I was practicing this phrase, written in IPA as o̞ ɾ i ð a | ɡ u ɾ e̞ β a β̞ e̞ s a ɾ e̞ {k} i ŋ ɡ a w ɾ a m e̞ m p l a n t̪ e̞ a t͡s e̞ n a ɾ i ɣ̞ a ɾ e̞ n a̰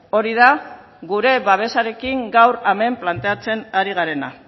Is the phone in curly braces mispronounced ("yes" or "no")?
no